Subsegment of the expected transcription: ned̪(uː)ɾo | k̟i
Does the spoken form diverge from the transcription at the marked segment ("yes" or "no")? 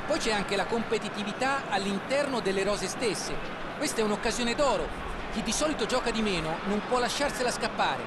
yes